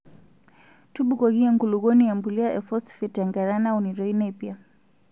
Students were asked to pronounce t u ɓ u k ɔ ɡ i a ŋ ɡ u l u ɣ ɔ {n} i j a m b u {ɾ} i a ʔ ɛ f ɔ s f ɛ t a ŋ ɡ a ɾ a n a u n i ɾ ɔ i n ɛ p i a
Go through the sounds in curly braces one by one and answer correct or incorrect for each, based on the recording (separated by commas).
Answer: correct, incorrect